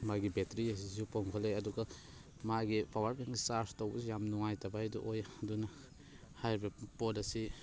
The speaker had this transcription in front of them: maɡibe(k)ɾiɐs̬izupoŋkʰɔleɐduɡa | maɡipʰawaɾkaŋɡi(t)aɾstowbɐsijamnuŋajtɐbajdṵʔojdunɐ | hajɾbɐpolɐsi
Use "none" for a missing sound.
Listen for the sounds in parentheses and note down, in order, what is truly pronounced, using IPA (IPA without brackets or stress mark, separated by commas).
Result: t, s